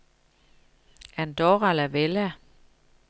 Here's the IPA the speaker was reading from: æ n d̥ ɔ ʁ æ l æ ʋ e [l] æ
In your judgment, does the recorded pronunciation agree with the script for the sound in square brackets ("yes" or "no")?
yes